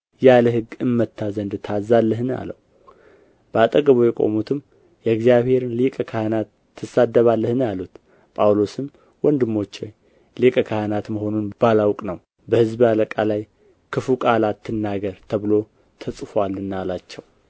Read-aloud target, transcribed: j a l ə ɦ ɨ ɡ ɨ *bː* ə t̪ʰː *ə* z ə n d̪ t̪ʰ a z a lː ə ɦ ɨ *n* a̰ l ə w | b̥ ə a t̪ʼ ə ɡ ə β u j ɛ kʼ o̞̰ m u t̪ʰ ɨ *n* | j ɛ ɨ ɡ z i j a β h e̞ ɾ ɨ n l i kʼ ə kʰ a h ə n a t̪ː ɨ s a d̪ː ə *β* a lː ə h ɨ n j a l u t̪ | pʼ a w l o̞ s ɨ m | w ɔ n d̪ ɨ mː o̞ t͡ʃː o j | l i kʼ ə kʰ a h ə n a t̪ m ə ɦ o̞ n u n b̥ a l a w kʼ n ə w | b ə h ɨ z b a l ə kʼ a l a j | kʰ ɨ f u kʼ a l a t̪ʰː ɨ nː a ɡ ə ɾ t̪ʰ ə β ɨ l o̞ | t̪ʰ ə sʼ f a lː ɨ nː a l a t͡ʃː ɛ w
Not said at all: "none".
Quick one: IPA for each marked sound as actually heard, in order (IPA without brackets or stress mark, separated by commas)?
mː, a, n, m, β